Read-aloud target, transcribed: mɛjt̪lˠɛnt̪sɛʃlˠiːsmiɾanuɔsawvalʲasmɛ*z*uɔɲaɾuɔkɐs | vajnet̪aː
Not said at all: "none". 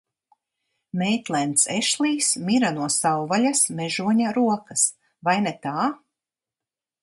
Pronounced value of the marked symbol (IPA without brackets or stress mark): ʒ